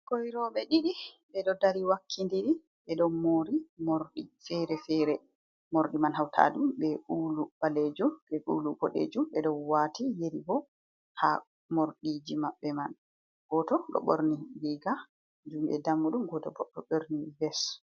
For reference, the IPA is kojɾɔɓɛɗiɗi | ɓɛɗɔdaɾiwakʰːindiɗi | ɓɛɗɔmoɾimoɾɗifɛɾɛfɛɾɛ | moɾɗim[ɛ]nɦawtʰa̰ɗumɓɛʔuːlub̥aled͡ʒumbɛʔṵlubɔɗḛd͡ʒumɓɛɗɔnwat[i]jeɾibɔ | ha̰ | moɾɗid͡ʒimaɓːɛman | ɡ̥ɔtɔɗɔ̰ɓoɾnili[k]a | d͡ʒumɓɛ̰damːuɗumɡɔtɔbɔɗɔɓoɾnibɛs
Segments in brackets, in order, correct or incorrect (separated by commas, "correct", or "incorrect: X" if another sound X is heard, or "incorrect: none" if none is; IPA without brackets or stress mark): incorrect: a, correct, incorrect: ɡ